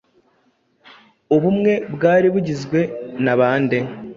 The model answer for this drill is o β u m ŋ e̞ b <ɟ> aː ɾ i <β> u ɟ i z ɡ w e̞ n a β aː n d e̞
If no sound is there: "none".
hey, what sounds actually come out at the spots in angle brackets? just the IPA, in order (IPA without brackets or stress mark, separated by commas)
ɡ, β